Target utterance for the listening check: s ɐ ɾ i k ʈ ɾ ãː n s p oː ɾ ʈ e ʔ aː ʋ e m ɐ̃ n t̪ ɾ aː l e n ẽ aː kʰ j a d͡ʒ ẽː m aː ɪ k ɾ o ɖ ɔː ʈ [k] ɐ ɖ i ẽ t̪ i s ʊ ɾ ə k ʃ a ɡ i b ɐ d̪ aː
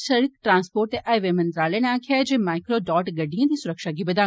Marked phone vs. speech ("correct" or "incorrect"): incorrect